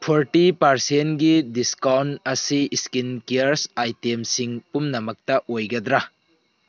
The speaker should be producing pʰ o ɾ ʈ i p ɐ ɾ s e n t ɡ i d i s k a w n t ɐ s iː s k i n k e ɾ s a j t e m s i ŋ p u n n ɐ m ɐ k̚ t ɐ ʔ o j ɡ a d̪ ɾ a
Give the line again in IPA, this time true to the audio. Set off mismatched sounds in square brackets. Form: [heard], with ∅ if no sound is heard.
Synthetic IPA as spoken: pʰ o ɾ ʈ i p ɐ ɾ s e n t ɡ i d i s k a w n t ɐ s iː s k i n k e ɾ s a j t e m s i ŋ p u [m] n ɐ m ɐ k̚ t ɐ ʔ o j ɡ [ɐ] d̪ ɾ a

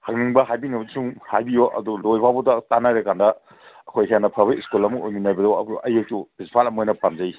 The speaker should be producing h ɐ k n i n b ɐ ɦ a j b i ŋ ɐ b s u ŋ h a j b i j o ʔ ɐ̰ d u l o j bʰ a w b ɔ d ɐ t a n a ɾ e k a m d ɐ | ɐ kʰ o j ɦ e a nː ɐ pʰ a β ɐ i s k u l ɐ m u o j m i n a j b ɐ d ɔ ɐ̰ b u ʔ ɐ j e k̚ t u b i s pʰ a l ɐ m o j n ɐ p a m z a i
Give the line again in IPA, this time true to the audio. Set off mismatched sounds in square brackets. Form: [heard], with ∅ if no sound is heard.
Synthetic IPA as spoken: h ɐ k n i [ŋ] b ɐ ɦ a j b i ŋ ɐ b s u ŋ h a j b i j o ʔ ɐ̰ d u l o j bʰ a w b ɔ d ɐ t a n a ɾ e k a [n] d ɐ | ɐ kʰ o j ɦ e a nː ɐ pʰ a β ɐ i s k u l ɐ m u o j m i n a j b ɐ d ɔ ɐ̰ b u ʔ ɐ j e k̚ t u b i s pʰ a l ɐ m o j n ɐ p a m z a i

